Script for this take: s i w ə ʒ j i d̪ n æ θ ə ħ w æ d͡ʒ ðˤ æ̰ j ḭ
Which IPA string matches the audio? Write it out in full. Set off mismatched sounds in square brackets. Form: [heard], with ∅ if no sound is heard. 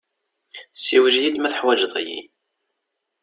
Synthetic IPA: s i w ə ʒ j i d̪ [m] æ θ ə ħ w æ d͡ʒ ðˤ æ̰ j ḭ